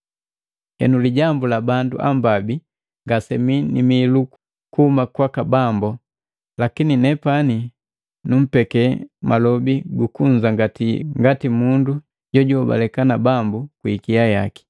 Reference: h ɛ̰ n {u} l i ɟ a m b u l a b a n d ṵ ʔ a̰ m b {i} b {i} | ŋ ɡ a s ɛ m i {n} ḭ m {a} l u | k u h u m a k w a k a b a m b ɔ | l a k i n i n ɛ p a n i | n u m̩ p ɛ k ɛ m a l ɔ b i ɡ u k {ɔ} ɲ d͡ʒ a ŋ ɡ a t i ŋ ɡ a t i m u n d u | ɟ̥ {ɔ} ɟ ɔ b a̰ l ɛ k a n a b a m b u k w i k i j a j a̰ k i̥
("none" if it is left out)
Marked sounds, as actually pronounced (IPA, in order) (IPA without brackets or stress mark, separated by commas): u, a, i, n, i, u, ɔ